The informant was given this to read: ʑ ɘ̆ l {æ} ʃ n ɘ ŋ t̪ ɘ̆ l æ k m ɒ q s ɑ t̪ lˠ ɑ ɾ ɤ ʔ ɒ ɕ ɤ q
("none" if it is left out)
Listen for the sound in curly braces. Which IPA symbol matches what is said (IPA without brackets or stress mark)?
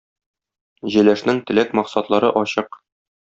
æ